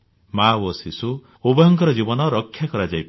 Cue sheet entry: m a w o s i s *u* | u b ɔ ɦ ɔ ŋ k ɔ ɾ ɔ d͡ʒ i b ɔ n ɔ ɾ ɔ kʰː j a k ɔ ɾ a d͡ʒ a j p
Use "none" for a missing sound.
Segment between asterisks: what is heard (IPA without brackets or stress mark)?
u